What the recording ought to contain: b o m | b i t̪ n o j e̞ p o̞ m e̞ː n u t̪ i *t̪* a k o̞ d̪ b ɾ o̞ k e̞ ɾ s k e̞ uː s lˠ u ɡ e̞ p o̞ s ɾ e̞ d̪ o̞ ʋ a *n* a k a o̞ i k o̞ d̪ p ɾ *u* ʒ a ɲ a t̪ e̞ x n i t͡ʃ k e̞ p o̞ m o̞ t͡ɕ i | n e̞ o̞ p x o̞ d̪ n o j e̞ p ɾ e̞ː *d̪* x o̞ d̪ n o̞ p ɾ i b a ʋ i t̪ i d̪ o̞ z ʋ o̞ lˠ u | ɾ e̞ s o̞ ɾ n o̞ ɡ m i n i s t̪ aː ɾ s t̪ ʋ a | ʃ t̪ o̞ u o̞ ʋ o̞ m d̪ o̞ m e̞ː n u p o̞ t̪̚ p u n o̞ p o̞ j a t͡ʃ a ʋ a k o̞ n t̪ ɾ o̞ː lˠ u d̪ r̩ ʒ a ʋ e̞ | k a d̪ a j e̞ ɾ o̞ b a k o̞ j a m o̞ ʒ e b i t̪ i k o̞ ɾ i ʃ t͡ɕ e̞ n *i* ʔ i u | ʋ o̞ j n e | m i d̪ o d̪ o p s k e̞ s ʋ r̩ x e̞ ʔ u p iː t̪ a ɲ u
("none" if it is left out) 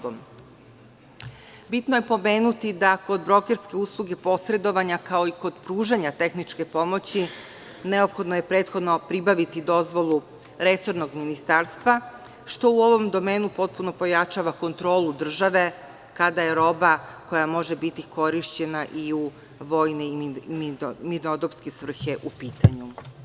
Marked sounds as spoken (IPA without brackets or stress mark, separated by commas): d̪, ɲ, uː, t̪, a